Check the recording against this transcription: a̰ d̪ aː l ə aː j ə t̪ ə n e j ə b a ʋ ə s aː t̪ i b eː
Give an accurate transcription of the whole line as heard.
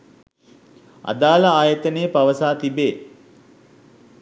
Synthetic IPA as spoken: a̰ d̪ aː l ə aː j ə t̪ ə n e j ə p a ʋ ə s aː t̪ i b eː